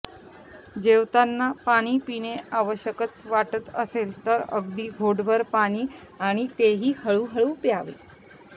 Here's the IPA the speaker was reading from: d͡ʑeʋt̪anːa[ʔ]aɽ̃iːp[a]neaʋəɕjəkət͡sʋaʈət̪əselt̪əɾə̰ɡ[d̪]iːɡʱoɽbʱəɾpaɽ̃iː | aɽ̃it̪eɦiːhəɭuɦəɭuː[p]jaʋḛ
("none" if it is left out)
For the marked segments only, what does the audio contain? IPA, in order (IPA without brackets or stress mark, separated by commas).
p, i, d̪, p